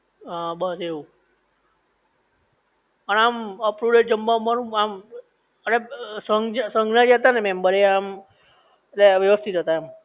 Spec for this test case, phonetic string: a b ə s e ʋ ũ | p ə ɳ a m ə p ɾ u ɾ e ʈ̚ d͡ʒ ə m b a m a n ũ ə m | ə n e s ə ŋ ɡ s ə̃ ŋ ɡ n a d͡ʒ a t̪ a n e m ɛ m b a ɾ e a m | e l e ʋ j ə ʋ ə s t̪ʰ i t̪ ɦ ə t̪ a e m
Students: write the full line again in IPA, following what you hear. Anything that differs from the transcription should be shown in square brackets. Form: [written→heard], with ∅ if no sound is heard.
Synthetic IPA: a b ə s e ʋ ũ | p ə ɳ a m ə p ɾ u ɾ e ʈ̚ d͡ʒ ə m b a m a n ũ [ə→a] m | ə n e s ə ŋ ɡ s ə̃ ŋ ɡ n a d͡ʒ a t̪ a n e m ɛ m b [a→ə] ɾ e a m | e l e ʋ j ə ʋ ə s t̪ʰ i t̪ ɦ ə t̪ a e m